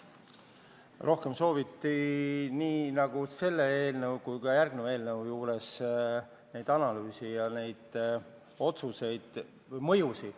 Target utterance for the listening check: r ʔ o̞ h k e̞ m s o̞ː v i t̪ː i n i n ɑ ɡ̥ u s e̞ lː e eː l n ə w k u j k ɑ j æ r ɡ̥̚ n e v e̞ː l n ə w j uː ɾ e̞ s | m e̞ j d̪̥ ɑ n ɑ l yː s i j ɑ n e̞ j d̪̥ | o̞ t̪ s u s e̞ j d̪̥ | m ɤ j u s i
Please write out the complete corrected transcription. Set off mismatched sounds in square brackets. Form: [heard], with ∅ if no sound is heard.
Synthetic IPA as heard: r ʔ o̞ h k e̞ m s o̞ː v i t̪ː i n [iː] n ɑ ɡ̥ u s e̞ lː e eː l n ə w k u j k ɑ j æ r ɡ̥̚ n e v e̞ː l n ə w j uː ɾ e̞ s | [n] e̞ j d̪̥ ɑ n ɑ l yː s i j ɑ n e̞ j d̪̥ | o̞ t̪ s u s e̞ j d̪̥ | m ɤ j u s i